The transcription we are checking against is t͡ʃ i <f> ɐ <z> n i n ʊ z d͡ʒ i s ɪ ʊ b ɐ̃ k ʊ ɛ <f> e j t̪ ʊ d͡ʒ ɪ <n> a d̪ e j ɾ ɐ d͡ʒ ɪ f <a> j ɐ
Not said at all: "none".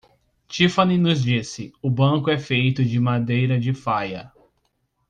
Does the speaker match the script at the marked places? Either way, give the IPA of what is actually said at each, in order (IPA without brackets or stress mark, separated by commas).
f, none, f, m, a